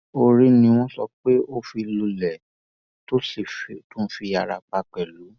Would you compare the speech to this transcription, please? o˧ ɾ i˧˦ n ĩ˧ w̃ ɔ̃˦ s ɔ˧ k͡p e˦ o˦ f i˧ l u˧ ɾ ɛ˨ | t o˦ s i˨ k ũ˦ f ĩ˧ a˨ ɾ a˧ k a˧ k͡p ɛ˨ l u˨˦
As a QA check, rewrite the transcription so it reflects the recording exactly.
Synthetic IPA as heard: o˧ ɾ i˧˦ n ĩ˧ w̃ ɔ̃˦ s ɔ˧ k͡p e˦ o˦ f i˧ l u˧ l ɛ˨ | t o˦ s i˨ t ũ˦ f i˧ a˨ ɾ a˧ k͡p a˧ k͡p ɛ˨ l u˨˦